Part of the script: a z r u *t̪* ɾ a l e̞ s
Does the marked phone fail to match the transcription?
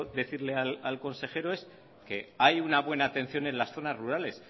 yes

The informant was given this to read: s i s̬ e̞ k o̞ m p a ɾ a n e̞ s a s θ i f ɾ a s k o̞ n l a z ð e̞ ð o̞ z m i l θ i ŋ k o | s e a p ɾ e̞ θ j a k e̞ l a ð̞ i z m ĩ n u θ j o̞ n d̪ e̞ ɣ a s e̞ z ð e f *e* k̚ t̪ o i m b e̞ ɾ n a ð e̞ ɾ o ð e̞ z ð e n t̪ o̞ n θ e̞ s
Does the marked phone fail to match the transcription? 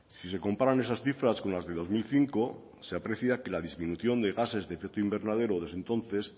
no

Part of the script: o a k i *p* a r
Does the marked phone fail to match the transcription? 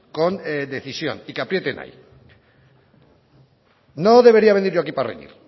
no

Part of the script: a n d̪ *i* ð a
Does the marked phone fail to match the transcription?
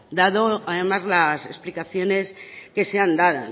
yes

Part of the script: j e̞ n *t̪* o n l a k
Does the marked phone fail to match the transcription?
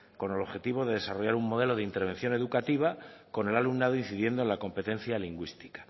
yes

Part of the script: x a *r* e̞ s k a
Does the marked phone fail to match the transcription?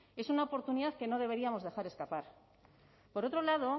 yes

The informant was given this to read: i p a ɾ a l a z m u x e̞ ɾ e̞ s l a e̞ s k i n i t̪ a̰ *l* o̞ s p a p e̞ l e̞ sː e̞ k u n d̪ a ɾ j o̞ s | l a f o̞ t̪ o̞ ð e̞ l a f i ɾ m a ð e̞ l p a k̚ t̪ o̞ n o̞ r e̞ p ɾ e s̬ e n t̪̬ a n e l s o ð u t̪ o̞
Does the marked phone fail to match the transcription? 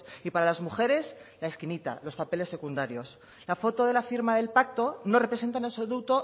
no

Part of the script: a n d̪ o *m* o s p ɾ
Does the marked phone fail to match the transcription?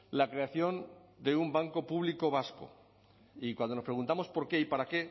yes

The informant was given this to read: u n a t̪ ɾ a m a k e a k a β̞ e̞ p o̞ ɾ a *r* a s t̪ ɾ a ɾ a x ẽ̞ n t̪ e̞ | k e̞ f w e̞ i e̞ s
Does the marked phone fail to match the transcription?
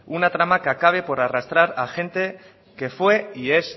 no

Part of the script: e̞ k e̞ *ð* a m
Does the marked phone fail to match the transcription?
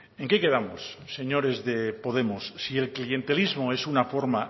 no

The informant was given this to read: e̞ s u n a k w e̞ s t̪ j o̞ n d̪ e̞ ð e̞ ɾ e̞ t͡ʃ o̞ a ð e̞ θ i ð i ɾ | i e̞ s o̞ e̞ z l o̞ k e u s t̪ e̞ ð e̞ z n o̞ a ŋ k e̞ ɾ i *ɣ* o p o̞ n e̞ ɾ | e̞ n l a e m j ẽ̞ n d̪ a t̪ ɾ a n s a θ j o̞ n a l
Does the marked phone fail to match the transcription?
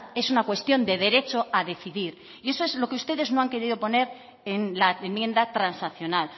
yes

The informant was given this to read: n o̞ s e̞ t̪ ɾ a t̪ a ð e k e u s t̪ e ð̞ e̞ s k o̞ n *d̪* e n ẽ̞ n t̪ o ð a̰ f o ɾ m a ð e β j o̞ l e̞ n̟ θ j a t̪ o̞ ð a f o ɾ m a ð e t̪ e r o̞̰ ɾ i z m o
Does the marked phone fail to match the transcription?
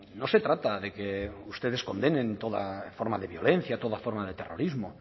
no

